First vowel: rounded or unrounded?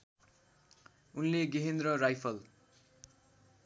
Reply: rounded